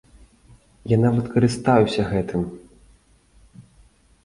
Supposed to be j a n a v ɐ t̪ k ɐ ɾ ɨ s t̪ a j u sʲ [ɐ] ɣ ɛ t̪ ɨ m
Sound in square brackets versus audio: correct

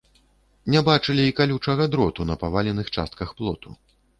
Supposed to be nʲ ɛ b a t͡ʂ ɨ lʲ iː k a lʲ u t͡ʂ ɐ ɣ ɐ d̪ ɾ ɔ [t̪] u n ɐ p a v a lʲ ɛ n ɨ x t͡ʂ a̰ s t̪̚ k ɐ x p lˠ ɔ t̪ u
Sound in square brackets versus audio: correct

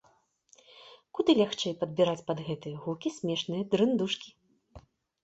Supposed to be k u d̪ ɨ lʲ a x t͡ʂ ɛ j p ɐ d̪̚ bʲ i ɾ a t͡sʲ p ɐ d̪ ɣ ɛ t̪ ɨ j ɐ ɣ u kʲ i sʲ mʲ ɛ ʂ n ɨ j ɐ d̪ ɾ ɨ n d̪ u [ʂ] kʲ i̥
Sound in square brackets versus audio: correct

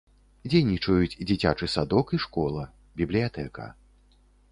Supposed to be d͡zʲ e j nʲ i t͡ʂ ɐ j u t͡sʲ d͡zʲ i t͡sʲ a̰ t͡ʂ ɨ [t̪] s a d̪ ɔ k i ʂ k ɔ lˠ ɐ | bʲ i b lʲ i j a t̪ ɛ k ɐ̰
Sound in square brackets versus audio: incorrect: none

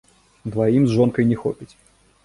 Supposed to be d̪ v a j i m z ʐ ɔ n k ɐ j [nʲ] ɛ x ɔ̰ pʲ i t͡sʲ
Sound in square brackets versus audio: correct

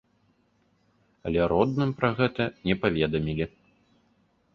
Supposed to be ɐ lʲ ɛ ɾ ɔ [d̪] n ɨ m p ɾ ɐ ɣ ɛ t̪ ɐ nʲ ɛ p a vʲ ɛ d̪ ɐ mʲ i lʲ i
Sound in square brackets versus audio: correct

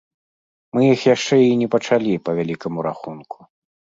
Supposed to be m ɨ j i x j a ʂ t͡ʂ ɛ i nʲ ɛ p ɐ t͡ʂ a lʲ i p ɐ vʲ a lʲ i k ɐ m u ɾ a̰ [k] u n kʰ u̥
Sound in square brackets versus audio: incorrect: x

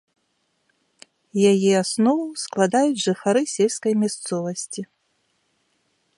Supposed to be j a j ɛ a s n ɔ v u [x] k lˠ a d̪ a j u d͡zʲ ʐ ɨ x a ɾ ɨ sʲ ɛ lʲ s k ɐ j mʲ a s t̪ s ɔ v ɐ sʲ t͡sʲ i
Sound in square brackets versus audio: incorrect: s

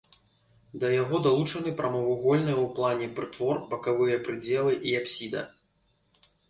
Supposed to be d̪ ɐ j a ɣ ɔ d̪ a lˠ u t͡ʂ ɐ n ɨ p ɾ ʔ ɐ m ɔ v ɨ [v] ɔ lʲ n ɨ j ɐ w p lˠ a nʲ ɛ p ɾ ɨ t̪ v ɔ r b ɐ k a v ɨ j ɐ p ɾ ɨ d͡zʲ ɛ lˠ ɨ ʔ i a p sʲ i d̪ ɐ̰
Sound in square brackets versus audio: incorrect: ɣ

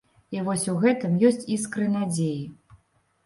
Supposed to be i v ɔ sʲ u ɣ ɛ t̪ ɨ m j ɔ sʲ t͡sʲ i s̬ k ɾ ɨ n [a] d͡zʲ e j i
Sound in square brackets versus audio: correct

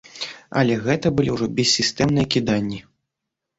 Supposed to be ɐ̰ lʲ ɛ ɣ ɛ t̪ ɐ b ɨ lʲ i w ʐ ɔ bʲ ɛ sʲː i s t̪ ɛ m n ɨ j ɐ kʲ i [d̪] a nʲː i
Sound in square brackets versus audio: correct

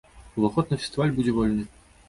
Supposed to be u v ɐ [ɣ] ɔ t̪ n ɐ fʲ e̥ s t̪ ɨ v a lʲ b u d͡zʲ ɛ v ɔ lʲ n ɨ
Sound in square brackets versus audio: incorrect: x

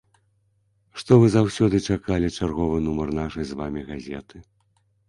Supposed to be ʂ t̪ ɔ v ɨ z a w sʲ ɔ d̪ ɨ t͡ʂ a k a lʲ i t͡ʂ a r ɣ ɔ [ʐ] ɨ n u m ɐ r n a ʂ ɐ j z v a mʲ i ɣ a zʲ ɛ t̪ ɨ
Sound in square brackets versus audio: incorrect: v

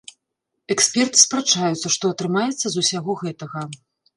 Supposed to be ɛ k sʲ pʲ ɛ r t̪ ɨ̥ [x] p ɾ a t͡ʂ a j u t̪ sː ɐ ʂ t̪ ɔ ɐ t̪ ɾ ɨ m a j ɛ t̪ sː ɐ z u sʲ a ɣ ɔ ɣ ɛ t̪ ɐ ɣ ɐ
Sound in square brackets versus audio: incorrect: s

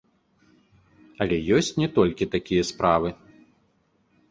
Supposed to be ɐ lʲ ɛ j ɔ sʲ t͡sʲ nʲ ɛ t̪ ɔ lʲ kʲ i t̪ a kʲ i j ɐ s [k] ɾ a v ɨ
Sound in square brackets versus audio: incorrect: p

